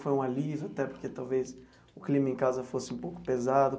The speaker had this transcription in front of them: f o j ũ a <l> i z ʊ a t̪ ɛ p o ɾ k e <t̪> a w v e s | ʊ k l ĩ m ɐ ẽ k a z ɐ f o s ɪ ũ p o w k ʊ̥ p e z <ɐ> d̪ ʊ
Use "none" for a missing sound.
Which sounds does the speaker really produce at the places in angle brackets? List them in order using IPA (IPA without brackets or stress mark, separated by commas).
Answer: l, t̪, a